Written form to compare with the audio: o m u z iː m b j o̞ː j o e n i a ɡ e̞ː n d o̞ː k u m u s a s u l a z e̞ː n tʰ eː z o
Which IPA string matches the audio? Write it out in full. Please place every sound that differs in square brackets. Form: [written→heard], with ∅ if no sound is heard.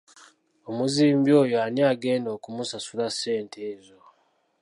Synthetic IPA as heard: o m u z iː m b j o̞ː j o [e→a] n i a ɡ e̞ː n d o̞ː k u m u s a s u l a [z→s] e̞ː n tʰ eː z o